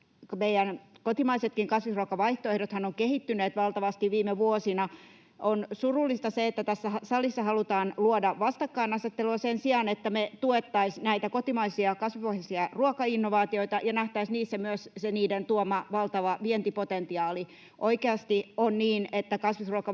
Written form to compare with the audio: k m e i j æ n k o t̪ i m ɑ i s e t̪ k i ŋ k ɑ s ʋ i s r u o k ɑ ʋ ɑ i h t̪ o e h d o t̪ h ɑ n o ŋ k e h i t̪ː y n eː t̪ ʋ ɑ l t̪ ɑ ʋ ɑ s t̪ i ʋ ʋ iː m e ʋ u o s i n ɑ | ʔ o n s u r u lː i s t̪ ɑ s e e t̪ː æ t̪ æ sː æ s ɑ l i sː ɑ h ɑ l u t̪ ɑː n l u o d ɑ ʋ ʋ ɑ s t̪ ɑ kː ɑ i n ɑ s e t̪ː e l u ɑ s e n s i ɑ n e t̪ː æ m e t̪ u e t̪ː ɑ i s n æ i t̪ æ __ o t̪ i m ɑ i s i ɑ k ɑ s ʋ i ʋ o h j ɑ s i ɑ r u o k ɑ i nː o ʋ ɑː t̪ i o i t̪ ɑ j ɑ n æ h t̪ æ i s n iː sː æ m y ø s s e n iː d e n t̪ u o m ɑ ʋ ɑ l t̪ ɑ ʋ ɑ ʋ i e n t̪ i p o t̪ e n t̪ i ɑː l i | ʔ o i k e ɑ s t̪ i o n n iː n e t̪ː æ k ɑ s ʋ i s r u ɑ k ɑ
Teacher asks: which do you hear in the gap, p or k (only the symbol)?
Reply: k